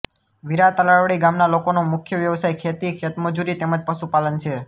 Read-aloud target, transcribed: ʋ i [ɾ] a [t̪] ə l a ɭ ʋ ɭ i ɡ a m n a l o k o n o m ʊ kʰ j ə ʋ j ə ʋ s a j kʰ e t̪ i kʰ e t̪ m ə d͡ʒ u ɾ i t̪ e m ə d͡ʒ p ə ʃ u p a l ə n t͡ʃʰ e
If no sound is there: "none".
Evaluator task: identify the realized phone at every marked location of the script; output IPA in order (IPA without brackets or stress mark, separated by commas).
ɾ, t̪